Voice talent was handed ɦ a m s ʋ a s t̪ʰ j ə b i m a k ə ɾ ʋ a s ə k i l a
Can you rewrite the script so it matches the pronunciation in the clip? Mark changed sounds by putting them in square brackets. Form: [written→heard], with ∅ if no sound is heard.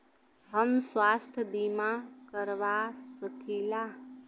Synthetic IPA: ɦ [a→ə] m s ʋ a s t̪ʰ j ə b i m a k ə ɾ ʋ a s ə k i l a